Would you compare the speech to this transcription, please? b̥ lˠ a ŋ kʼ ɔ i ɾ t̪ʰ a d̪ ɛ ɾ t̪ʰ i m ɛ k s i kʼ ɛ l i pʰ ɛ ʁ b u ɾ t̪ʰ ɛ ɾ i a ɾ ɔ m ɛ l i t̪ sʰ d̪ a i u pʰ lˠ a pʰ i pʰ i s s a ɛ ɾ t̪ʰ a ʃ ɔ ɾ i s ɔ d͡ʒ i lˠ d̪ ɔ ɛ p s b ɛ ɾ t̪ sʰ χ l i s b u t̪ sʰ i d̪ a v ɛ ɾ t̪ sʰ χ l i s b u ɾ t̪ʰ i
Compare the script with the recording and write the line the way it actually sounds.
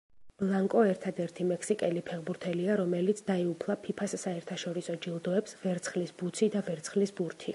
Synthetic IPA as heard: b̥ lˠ a ŋ kʼ ɔ ɛ ɾ t̪ʰ a d̪ ɛ ɾ t̪ʰ i m ɛ k s i kʼ ɛ l i pʰ ɛ ʁ b u ɾ t̪ʰ ɛ l i a ɾ ɔ m ɛ l i t̪ sʰ d̪ a i u pʰ lˠ a pʰ i pʰ a s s a ɛ ɾ t̪ʰ a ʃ ɔ ɾ i s ɔ d͡ʒ i lˠ d̪ ɔ ɛ p s v ɛ ɾ t̪ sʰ χ l i s b u t̪ sʰ i d̪ a v ɛ ɾ t̪ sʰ χ l i s b u ɾ t̪ʰ i

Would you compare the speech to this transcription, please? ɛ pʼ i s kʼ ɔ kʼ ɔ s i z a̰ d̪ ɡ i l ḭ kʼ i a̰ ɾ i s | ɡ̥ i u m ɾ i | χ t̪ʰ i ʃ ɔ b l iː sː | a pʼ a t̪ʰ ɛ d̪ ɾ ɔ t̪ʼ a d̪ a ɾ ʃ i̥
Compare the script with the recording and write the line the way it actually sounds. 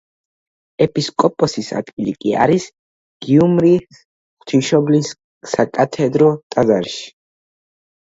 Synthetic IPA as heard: ɛ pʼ i s kʼ ɔ pʼ ɔ s i s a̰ d̪ ɡ i l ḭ kʼ i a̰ ɾ i s | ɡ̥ i u m ɾ i | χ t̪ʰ i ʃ ɔ b l i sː | a kʼ a t̪ʰ ɛ d̪ ɾ ɔ t̪ʼ a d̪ a ɾ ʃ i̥

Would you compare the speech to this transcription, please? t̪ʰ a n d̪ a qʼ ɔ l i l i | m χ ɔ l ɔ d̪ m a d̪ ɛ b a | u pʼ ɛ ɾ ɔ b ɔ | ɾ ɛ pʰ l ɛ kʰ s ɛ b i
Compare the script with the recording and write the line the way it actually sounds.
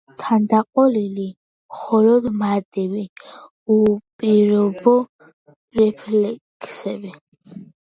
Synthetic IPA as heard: t̪ʰ a n d̪ a qʼ ɔ l i l i | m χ ɔ l ɔ d̪ m a d̪ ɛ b i | u pʼ i ɾ ɔ b ɔ | ɾ ɛ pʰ l ɛ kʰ s ɛ b i

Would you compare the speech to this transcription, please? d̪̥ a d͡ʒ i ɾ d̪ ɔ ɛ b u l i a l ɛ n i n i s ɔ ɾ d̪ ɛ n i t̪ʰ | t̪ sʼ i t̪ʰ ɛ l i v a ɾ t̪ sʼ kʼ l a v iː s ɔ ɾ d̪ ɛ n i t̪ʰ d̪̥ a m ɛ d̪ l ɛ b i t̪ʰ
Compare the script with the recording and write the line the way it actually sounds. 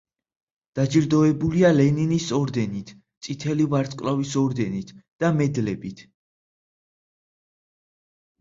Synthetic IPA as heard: d̪̥ a d͡ʒ i ɾ d̪ ɔ ɛ b u l i a l ɛ n i n i s ɔ ɾ d̪ ɛ n i t̪ʰ | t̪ sʼ i t̪ʰ ɛ l i v a ɾ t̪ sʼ kʼ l a v i s ɔ ɾ d̪ ɛ n i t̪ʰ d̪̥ a m ɛ d̪ l ɛ b i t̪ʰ

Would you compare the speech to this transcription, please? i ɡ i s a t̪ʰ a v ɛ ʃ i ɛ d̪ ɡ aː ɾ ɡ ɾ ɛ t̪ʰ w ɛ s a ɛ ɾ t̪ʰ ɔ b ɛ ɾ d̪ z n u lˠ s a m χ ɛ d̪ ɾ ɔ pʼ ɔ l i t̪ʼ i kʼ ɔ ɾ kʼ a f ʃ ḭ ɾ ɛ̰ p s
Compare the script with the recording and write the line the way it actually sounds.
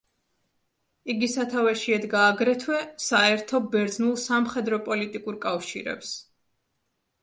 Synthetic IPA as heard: i ɡ i s a t̪ʰ a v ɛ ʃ i ɛ d̪ ɡ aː ɡ ɾ ɛ t̪ʰ w ɛ s a ɛ ɾ t̪ʰ ɔ b ɛ ɾ d̪ z n u lˠ s a m χ ɛ d̪ ɾ ɔ pʼ ɔ l i t̪ʼ i kʼ u ɾ kʼ a f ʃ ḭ ɾ ɛ̰ p s

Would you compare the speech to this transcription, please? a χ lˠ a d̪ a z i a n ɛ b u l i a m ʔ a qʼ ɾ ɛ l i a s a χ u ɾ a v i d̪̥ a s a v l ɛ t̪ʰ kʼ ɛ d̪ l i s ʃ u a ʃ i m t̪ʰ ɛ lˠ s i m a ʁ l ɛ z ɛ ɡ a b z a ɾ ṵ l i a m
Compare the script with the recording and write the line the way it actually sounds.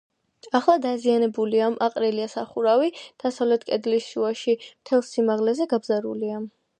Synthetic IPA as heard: a χ lˠ a d̪ a z i a n ɛ b u l i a m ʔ a qʼ ɾ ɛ l i a s a χ u ɾ a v i d̪̥ a s a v l ɛ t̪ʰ kʼ ɛ d̪ l i s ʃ u a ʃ i m t̪ʰ ɛ lˠ s i m a ʁ l ɛ z ɛ ɡ a b z a ɾ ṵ l i a m

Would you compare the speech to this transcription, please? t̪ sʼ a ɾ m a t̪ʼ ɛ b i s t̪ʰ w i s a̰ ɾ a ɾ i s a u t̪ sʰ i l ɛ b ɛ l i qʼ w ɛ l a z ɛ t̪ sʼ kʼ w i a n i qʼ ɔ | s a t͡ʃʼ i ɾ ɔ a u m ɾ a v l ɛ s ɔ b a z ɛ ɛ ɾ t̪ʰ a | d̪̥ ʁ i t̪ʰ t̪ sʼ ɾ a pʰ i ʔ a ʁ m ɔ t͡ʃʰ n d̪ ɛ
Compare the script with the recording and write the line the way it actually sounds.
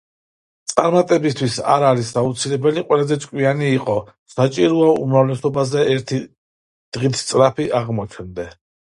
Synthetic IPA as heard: t̪ sʼ a ɾ m a t̪ʼ ɛ b i s t̪ʰ w i s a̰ ɾ a ɾ i s a u t̪ sʰ i l ɛ b ɛ l i qʼ w ɛ l a z ɛ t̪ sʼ kʼ w i a n iː qʼ ɔ | s a t͡ʃʼ i ɾ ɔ a u m ɾ a v l ɛ s ɔ b a z ɛ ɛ ɾ t̪ʰ i | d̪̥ ʁ i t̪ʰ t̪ sʼ ɾ a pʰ i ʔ a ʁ m ɔ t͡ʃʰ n d̪ ɛ

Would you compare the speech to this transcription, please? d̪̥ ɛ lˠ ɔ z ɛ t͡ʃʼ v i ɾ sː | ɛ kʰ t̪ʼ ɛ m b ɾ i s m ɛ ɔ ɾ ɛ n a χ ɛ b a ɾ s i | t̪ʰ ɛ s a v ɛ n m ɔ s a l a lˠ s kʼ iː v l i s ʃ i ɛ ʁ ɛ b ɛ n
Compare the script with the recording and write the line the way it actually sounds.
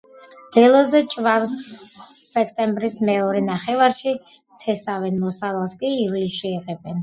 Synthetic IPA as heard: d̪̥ ɛ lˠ ɔ z ɛ t͡ʃʼ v a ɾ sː | ɛ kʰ t̪ʼ ɛ m b ɾ i s m ɛ ɔ ɾ ɛ n a χ ɛ v a ɾ ʃ i | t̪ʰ ɛ s a v ɛ n m ɔ s a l a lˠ s kʼ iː v l i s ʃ i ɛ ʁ ɛ b ɛ n

